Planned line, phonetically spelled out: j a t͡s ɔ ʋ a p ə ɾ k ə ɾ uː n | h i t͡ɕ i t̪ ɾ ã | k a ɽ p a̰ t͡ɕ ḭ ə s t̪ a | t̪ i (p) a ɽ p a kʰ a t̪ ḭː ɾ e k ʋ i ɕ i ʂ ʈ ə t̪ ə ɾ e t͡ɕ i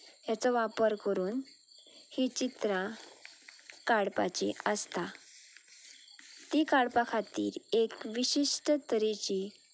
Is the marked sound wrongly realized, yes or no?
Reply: yes